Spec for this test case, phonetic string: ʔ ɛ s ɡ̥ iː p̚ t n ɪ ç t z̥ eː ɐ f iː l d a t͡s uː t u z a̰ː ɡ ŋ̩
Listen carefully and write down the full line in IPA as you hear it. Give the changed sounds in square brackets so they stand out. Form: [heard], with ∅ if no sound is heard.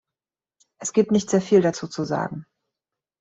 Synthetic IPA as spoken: ʔ ɛ s ɡ̥ iː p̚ t n ɪ ç t z̥ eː ɐ f iː l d a t͡s uː [t͡s] u z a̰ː ɡ ŋ̩